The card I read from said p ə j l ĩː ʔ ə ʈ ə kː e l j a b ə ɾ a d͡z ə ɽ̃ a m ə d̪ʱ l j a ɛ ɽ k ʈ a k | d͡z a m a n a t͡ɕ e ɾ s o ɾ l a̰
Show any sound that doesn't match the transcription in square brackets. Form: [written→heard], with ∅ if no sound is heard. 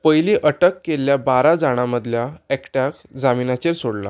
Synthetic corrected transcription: p ə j l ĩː ʔ ə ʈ ə kː e l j a b [ə→a] ɾ a d͡z [ə→a] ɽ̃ a m ə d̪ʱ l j a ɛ [ɽ→∅] k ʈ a k | d͡z a m [a→i] n a t͡ɕ e ɾ s o [ɾ→ɽ] l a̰